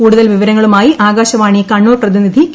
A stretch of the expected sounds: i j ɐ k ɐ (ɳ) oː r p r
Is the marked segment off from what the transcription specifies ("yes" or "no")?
yes